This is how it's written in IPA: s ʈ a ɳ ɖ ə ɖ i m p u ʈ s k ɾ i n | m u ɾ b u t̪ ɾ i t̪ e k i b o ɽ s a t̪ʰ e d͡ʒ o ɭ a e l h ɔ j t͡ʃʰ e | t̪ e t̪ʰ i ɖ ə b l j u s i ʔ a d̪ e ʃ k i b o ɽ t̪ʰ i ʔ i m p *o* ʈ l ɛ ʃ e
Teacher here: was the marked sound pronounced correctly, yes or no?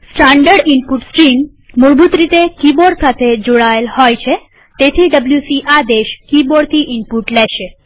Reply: no